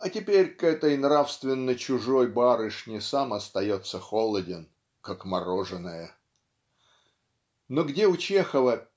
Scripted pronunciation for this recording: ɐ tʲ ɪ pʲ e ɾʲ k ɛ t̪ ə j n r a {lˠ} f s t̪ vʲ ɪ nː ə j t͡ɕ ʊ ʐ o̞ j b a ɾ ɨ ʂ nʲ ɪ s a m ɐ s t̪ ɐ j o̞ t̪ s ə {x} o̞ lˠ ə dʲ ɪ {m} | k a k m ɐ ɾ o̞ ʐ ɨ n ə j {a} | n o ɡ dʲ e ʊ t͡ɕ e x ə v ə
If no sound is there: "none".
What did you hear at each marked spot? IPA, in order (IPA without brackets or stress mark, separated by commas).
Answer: none, x, n, ə